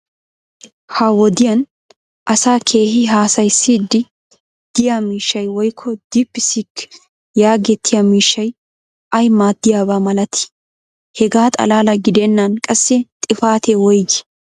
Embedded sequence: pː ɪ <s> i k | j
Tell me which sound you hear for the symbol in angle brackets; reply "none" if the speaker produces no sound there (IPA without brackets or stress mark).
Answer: s